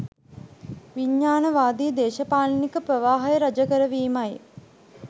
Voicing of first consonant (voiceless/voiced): voiced